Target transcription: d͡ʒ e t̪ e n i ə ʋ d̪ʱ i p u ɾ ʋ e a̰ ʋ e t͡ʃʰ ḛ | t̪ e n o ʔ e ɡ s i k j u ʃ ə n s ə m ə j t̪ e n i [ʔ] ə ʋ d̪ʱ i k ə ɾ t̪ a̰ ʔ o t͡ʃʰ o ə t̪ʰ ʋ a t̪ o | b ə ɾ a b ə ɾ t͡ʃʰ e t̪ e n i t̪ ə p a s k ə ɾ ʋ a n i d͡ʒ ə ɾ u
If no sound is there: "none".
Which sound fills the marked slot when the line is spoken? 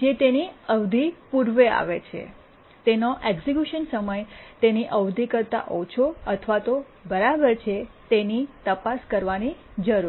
ʔ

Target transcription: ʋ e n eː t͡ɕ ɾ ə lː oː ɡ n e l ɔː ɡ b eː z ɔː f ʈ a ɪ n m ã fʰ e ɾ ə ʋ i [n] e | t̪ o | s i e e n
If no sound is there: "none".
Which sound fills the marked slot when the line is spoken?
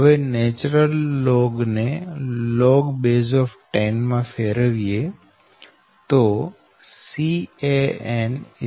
none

